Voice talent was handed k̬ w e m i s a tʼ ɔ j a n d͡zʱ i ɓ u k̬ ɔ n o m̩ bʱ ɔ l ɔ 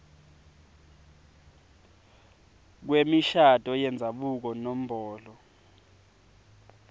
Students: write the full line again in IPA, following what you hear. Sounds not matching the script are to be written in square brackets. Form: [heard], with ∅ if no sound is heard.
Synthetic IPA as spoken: k̬ w e m i [ʃ] a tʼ ɔ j [ɛ] n d͡zʱ [a] ɓ u k̬ ɔ n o m̩ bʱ [ɔː] l ɔ